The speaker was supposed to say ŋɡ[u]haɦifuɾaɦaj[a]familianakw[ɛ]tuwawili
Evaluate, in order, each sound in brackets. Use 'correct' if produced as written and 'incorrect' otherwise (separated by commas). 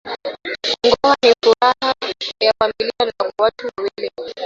incorrect, correct, incorrect